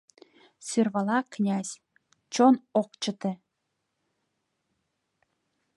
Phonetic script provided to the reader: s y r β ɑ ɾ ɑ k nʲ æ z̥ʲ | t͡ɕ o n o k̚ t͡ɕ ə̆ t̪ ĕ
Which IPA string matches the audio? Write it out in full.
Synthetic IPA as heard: s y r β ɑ l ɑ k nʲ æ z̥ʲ | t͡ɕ o n o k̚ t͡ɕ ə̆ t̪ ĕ